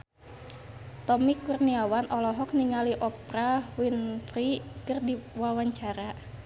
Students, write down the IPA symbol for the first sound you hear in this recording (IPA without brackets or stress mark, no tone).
t̪